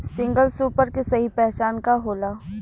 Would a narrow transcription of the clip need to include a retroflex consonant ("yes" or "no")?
no